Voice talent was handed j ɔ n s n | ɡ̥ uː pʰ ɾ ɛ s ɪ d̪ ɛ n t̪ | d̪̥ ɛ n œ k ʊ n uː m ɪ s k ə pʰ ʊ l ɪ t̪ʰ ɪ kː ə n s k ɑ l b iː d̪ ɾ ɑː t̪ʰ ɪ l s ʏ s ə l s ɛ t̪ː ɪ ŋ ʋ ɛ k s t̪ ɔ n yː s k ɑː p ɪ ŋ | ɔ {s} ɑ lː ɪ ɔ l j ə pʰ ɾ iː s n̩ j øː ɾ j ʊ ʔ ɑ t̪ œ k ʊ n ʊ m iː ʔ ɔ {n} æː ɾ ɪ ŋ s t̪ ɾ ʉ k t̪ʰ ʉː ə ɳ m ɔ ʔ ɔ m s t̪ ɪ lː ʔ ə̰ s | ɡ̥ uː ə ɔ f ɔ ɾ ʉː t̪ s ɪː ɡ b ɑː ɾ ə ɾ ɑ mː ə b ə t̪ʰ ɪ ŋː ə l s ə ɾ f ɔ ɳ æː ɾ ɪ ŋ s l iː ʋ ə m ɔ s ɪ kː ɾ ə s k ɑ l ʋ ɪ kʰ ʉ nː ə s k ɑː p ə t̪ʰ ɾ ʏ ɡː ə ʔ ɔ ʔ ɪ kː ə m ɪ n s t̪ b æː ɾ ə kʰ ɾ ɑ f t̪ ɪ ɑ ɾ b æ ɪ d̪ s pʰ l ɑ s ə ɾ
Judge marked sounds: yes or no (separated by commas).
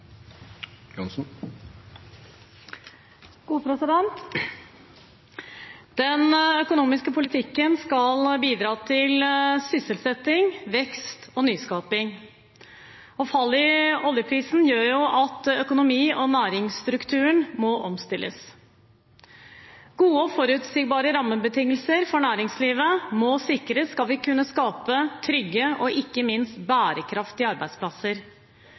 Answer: no, yes